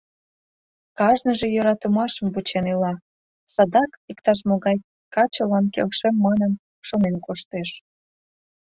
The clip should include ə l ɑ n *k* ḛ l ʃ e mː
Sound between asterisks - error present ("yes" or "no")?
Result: no